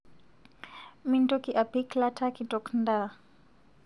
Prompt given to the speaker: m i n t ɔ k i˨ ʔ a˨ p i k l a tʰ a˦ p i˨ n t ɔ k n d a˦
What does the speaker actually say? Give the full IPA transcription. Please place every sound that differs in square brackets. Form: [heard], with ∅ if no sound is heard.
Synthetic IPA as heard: m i n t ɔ k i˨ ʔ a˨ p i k l a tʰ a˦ [k] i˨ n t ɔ k n d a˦

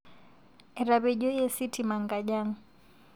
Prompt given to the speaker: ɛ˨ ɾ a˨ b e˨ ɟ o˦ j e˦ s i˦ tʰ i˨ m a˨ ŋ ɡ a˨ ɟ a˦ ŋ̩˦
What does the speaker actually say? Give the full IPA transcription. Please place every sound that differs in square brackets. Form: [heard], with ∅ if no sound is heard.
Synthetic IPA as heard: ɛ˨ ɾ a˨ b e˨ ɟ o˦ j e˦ s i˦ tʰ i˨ m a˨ ŋ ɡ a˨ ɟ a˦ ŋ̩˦

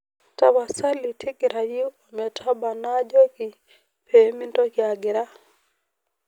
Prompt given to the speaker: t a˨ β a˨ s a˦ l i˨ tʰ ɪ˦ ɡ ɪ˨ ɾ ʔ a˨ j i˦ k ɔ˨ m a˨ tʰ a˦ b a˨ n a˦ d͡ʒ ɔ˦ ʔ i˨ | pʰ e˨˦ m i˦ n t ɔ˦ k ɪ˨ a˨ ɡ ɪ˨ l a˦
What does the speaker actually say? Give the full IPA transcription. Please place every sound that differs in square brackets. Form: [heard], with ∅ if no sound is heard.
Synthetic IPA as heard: t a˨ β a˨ s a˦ l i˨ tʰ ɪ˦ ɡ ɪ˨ ɾ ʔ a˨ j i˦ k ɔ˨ m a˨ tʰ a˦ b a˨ n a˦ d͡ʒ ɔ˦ [k] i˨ | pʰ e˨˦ m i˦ n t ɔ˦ k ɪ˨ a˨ ɡ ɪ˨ [ɾ] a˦

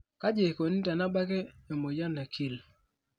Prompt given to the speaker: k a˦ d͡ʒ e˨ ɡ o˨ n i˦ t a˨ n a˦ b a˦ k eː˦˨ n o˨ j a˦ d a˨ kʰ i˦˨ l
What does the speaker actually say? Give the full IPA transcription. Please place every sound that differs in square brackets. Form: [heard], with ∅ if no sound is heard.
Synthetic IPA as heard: k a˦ d͡ʒ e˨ [k] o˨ n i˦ t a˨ n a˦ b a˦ k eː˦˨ [m] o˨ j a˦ [n] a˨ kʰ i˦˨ l

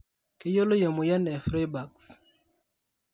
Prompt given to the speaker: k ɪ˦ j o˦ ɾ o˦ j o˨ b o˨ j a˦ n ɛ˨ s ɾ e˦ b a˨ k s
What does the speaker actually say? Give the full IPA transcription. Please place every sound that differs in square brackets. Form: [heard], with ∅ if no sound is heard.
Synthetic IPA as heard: k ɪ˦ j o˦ [l] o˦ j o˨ [m] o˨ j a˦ n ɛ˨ [f] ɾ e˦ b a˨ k s

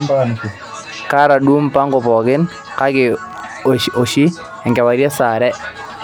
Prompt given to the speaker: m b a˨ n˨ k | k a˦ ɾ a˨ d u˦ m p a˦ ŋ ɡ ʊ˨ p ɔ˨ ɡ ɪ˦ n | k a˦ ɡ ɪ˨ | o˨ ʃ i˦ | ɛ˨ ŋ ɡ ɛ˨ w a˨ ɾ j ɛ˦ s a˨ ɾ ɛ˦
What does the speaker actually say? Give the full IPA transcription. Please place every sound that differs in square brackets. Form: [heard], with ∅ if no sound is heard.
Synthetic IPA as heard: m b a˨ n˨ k | k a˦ ɾ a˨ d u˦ m p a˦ ŋ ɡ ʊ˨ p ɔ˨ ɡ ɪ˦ n | k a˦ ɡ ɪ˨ | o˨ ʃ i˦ | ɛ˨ ŋ ɡ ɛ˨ w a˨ ɾ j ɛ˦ s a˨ ɾ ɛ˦

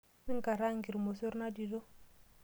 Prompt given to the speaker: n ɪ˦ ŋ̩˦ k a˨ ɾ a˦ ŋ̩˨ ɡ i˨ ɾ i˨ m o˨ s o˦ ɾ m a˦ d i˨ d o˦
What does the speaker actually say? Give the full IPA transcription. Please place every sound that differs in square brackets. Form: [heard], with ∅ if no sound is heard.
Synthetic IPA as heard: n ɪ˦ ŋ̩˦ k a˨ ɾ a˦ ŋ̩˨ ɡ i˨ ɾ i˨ m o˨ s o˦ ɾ [n] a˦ d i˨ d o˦

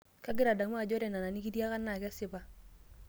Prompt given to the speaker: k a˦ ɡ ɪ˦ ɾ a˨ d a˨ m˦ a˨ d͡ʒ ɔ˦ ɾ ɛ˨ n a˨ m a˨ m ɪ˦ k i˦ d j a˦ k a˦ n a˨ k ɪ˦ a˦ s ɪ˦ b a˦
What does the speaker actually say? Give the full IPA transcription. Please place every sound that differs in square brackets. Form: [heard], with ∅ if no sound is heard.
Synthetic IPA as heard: k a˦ ɡ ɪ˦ ɾ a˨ d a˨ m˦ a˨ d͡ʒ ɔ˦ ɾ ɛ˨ n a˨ [n] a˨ [n] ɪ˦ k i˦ d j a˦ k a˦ n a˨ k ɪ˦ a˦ s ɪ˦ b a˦

